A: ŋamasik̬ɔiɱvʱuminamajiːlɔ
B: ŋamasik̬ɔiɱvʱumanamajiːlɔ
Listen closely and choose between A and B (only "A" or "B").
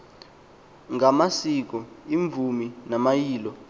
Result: A